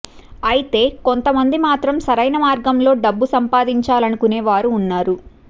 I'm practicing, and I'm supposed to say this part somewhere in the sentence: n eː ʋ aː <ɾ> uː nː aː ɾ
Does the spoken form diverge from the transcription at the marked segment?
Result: no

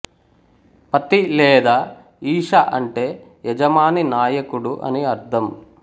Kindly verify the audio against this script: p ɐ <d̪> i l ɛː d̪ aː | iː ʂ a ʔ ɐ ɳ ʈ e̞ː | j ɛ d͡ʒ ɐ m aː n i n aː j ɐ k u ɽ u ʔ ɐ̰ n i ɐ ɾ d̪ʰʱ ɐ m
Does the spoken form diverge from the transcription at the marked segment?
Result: yes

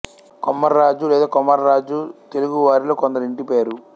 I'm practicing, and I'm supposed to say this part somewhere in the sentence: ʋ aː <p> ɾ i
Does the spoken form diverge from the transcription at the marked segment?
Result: yes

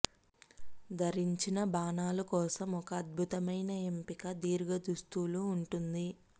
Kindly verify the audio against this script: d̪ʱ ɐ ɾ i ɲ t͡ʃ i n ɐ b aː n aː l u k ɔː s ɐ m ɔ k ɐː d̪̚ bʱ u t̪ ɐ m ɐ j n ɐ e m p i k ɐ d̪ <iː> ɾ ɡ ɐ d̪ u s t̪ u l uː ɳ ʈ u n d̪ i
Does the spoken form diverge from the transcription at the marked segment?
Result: no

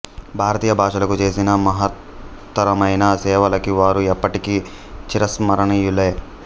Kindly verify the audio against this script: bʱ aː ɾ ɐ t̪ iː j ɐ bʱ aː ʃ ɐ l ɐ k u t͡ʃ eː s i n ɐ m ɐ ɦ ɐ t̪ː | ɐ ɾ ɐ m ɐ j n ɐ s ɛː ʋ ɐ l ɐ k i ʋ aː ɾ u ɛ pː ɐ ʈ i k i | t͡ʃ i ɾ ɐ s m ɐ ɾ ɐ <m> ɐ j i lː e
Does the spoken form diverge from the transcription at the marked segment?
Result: yes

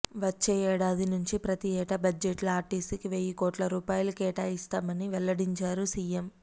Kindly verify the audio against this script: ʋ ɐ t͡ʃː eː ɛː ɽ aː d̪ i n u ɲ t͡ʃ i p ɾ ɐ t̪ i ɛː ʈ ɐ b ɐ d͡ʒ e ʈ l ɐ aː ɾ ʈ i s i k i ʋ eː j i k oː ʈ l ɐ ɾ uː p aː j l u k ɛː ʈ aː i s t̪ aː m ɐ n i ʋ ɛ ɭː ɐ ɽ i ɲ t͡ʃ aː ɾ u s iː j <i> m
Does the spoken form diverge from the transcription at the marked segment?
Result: yes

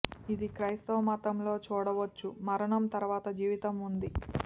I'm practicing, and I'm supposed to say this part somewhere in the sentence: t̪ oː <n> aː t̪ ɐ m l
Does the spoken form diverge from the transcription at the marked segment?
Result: yes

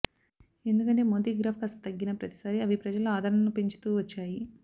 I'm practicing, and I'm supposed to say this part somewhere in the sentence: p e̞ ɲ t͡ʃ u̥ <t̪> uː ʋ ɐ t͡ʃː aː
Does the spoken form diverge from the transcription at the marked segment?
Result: no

